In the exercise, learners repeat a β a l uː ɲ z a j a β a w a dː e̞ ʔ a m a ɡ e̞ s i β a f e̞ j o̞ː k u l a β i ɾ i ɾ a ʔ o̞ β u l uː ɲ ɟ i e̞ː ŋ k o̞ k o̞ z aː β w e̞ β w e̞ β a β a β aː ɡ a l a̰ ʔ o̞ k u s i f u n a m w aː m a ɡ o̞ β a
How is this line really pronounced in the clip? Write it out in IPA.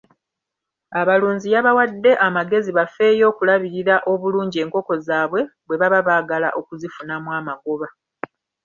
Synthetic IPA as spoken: a β a l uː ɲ z i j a β a w a dː e̞ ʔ a m a ɡ e̞ z i β a f e̞ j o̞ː k u l a β i ɾ i ɾ a ʔ o̞ β u l uː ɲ ɟ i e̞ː ŋ k o̞ k o̞ z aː β w e̞ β w e̞ β a β a β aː ɡ a l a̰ ʔ o̞ k u z i f u n a m w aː m a ɡ o̞ β a